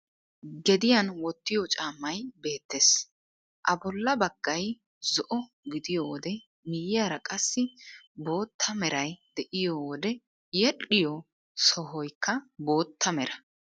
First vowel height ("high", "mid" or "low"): mid